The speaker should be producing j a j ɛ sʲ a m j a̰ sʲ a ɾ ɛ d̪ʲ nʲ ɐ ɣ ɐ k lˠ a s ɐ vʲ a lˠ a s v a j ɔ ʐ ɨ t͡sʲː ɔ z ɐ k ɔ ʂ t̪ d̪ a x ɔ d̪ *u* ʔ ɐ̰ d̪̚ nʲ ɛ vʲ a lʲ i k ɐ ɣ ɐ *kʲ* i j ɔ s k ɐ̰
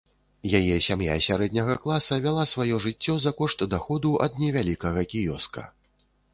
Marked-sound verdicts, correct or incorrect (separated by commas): correct, correct